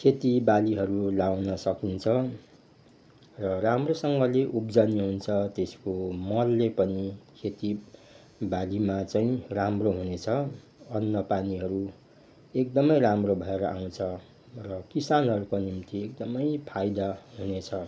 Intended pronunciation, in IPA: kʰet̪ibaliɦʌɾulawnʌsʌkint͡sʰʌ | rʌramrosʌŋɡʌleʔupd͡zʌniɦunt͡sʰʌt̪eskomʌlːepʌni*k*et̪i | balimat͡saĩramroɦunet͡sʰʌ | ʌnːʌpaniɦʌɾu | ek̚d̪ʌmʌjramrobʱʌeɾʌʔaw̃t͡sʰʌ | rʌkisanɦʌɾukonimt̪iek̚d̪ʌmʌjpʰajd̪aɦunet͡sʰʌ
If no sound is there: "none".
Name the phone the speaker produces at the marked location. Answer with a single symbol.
kʰ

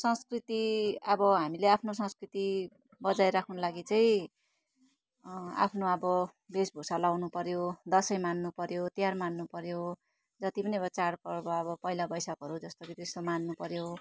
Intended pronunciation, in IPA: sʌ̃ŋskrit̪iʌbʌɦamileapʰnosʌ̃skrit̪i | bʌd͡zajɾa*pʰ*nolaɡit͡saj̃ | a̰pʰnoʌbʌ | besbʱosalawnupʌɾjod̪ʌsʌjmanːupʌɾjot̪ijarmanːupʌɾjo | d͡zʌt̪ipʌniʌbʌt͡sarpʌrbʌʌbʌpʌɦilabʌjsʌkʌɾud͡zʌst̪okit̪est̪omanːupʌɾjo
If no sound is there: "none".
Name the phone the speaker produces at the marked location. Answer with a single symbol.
kʰ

